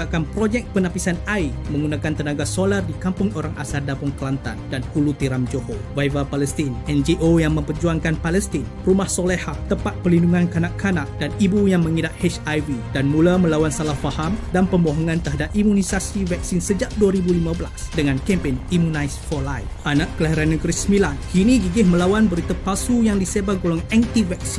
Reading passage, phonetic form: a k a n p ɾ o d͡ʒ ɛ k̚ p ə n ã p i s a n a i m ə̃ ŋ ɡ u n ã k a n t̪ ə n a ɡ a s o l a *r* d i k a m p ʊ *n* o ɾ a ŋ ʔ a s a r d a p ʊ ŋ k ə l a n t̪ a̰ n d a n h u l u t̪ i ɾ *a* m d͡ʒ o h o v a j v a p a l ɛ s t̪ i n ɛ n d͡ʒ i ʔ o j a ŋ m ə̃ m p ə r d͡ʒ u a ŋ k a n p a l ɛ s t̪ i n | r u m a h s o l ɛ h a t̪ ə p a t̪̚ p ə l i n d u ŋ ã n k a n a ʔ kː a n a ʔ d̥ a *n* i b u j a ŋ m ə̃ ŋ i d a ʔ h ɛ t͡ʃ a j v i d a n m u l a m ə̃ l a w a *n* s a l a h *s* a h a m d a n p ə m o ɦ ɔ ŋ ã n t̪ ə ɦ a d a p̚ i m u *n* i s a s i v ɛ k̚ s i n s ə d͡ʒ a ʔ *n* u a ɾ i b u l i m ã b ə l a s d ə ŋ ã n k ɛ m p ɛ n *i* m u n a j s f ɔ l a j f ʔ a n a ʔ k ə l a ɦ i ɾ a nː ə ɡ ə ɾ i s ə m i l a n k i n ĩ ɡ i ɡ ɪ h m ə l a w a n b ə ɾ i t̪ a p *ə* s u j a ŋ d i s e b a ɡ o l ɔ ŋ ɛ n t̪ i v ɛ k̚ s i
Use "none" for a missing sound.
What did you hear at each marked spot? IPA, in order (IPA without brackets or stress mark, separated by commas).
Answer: r, ŋ, a, n, n, f, n, d, i, a